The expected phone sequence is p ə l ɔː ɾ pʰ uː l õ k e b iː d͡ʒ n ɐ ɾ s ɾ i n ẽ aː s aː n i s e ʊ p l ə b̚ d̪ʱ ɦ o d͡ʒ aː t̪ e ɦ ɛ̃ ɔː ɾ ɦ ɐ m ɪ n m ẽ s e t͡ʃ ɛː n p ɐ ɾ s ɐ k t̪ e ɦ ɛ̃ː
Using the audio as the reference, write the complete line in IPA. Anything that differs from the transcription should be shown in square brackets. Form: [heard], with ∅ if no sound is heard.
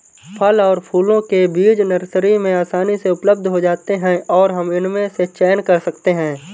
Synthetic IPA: [pʰ] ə l ɔː ɾ pʰ uː l õ k e b iː d͡ʒ n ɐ ɾ s ɾ i [m] ẽ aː s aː n i s e ʊ p l ə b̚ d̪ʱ ɦ o d͡ʒ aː t̪ e ɦ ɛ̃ ɔː ɾ ɦ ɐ m ɪ n m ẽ s e t͡ʃ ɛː n [k] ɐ ɾ s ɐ k t̪ e ɦ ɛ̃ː